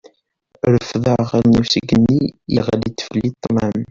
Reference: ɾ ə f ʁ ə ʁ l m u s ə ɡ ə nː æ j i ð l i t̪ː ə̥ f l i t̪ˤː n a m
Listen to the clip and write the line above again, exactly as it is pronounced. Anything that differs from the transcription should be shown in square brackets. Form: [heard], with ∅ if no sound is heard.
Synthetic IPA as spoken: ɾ ə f [ð] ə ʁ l [n] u s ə ɡ ə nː [i] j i [ʁ] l i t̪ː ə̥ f l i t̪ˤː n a m